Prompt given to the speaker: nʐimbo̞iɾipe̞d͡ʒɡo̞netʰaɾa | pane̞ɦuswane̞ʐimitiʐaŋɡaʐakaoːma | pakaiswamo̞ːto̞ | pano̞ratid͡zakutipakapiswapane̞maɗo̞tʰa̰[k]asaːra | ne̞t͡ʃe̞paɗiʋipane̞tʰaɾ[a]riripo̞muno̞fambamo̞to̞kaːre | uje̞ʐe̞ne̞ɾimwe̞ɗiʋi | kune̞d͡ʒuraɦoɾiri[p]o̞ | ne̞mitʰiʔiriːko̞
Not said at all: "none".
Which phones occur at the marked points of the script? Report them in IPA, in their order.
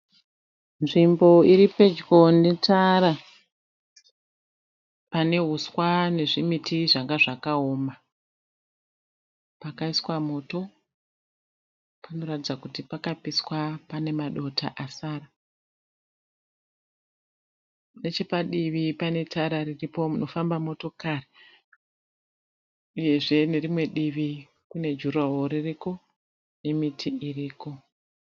ʔ, a, k

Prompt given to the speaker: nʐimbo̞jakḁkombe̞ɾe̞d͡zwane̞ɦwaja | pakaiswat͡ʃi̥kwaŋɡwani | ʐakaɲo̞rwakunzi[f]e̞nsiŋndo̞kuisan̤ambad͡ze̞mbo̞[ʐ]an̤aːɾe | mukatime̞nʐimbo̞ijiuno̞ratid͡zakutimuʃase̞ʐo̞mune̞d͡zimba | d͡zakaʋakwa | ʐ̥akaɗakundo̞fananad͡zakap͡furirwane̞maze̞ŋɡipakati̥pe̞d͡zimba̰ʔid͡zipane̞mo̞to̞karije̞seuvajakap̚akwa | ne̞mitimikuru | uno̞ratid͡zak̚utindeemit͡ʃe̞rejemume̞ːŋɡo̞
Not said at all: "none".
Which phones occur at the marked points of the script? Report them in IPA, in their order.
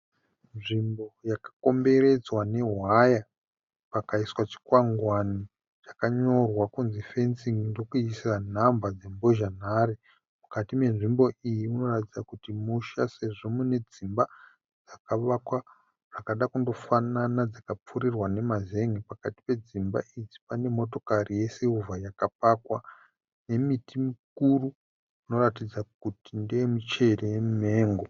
f, ʒ

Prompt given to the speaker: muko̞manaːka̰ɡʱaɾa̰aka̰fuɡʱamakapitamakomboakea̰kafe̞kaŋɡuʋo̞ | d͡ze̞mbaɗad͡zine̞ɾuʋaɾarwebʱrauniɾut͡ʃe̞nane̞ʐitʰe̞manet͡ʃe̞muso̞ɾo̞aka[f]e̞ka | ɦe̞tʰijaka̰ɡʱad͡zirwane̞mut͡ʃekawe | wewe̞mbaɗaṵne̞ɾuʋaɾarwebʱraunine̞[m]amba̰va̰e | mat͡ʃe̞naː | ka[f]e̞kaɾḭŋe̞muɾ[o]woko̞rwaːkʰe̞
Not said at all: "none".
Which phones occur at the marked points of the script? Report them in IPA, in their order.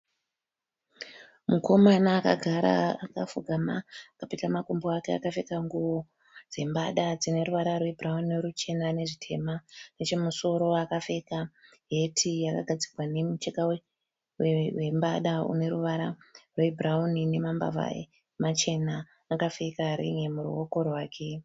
f, m, f, u

